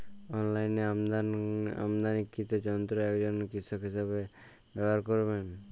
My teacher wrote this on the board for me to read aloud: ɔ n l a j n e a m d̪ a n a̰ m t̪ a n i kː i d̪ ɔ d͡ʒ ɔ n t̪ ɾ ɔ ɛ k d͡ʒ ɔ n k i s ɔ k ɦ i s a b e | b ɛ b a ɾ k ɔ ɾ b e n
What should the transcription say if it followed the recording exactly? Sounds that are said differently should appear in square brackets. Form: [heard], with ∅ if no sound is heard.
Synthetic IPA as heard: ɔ n l a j n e a m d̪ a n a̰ m [d̪] a n i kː i [t̪] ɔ d͡ʒ ɔ n t̪ ɾ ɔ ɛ k d͡ʒ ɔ n k i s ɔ k ɦ i s a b e | b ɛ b a ɾ k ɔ ɾ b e n